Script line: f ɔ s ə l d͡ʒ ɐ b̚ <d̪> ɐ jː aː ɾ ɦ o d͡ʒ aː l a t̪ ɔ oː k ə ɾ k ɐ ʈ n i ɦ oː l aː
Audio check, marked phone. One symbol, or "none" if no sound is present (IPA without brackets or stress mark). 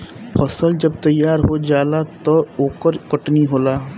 t̪